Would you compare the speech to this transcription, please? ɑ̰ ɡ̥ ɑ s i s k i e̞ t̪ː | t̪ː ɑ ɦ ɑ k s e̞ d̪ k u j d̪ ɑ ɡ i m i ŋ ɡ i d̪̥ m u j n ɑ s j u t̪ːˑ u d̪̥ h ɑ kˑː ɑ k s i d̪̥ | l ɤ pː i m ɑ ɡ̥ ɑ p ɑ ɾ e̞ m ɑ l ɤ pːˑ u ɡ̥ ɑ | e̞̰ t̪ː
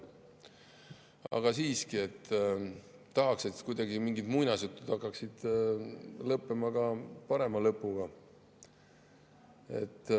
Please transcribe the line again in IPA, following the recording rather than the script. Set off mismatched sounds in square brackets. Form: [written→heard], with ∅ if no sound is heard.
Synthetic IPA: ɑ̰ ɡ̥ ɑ s [i→iː] s k i e̞ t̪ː | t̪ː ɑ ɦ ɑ k s e̞ [d̪→t̪] k u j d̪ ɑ ɡ i m i ŋ ɡ i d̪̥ m u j n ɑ s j u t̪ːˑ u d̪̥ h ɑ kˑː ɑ k s i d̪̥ | l ɤ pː [i→e] m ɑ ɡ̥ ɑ p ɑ ɾ e̞ m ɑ l ɤ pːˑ u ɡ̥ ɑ | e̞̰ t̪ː

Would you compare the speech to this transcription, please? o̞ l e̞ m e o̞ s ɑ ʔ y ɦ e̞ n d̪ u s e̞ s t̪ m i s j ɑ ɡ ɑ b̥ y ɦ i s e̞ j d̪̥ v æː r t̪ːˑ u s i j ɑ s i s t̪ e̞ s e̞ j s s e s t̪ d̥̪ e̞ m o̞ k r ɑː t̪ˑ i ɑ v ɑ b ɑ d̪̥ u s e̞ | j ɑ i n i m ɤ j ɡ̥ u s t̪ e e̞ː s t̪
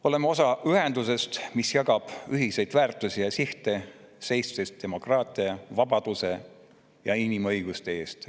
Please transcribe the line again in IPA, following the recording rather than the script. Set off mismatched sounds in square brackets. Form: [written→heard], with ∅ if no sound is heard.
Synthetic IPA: o̞ l e̞ m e o̞ s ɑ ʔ y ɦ e̞ n d̪ u s e̞ s t̪ m i s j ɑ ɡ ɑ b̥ y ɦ i s e̞ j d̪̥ v æː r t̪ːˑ u s i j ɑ s i [s→h] t̪ e̞ s e̞ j s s e s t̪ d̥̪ e̞ m o̞ k r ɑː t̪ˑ i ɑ v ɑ b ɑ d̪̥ u s e̞ | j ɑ i n i m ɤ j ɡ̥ u s t̪ e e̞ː s t̪

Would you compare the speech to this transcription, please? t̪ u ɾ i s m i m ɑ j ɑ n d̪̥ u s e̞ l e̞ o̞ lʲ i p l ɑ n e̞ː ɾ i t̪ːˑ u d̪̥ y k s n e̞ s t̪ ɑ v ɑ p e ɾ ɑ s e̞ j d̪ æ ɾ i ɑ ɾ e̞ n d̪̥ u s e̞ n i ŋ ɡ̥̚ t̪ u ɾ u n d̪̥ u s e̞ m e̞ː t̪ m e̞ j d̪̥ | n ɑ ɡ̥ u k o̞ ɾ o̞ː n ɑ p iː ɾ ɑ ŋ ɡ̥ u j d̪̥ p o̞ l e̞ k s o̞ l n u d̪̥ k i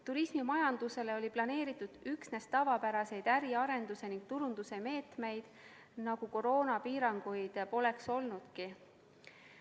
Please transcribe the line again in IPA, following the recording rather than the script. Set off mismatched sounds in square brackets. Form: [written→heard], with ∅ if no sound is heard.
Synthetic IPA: t̪ u ɾ i s m i m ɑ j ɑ n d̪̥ u s e̞ l e̞ o̞ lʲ i p l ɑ n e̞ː ɾ i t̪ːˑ u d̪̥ y k s n e̞ s t̪ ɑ v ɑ p [e→æ] ɾ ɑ s e̞ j d̪ æ ɾ i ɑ ɾ e̞ n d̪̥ u s e̞ n i ŋ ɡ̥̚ t̪ u ɾ u n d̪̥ u s e̞ m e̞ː t̪ m e̞ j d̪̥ | n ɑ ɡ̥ u k o̞ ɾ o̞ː n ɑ p iː ɾ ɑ ŋ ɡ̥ u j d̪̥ p o̞ l e̞ k s o̞ l n u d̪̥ k i

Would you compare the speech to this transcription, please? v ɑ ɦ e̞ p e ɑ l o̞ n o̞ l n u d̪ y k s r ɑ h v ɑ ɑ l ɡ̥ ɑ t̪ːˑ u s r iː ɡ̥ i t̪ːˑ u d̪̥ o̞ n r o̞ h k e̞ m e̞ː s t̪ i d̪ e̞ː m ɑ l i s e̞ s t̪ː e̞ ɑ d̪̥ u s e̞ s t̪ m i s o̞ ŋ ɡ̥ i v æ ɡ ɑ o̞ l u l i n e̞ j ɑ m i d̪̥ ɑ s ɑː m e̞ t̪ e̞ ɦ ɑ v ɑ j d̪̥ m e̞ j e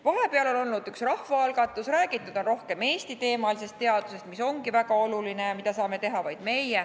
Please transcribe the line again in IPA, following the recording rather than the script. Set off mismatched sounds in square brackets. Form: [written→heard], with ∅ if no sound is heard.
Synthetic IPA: v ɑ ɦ e̞ p e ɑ l o̞ n o̞ l n u d̪ y k s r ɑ h v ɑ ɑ l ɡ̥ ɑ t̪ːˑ u s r [iː→æː] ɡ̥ i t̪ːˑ u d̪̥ o̞ n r o̞ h k e̞ m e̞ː s t̪ i [d̪→t̪] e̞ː m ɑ l i s e̞ s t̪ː e̞ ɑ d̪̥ u s e̞ s t̪ m i s o̞ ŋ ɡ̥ i v æ ɡ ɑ o̞ l u l i n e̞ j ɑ m i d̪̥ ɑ s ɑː m e̞ t̪ e̞ ɦ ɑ v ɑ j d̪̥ m e̞ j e

